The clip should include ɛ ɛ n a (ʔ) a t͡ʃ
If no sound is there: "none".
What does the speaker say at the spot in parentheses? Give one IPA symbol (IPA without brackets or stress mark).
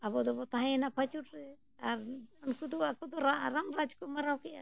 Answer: p